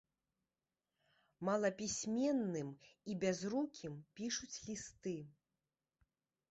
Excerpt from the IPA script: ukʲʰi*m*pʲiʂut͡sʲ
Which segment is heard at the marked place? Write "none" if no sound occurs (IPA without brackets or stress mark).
m